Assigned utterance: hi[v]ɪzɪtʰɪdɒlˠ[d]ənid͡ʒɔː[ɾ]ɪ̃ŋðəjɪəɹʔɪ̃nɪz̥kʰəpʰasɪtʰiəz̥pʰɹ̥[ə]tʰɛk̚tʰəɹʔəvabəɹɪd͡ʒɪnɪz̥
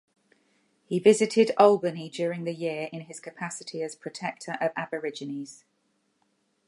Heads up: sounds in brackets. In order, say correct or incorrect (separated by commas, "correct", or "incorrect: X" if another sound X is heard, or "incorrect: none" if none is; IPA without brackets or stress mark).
correct, incorrect: b, incorrect: ɹ, correct